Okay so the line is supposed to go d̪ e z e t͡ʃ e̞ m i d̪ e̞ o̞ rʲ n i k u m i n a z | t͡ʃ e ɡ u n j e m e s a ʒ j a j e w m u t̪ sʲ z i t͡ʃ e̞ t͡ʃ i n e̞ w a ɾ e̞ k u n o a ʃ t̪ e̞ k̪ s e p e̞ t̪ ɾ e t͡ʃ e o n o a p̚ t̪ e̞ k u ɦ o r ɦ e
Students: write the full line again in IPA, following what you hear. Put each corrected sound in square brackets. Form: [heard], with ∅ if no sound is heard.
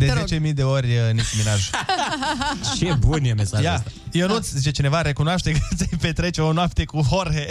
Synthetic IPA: d̪ e z e t͡ʃ e̞ m i d̪ e̞ o̞ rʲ n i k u m i n a [ʒ] | t͡ʃ e [b] u n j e m e s a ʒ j a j e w [n] u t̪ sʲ z i t͡ʃ e̞ t͡ʃ i n e̞ [v] a ɾ e̞ k u n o a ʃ t̪ e̞ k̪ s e p e̞ t̪ ɾ e t͡ʃ e o n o a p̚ t̪ e̞ k u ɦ o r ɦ e